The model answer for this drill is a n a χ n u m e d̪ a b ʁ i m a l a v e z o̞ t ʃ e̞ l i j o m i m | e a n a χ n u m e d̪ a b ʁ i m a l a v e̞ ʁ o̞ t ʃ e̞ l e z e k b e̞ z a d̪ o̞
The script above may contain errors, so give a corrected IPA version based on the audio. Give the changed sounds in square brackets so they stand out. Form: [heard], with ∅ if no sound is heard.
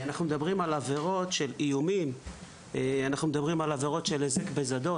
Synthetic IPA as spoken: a n a χ n u m e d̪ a b ʁ i m a l a v e [ʁ] o̞ t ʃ e̞ l i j [u] m i m | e a n a χ n u m e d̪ a b ʁ i m a l a v e̞ ʁ o̞ t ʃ e̞ l e z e k b e̞ z a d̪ o̞